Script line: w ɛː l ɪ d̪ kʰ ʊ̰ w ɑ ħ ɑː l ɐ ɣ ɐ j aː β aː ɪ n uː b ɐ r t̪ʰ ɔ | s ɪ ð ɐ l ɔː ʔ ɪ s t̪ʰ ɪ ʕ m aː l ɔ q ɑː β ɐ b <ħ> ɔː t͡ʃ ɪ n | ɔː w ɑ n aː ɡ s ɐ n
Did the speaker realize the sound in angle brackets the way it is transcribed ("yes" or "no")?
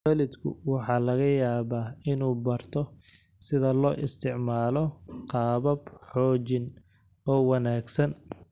yes